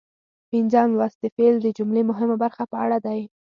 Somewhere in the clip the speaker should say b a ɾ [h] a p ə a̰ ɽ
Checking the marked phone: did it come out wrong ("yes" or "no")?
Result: yes